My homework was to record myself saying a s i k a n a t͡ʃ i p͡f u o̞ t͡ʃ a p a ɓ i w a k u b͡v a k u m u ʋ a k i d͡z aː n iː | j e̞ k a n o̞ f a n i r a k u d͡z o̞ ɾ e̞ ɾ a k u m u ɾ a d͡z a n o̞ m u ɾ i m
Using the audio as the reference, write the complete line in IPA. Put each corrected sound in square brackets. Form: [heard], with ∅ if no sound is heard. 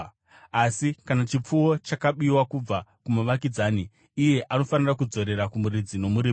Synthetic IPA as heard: a s i k a n a t͡ʃ i p͡f u o̞ t͡ʃ a [k] a ɓ i w a k u b͡v a k u m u ʋ a k i d͡z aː n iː | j e̞ [ʔ] a n o̞ f a n i r a k u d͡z o̞ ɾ e̞ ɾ a k u m u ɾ [i] d͡z [i] n o̞ m u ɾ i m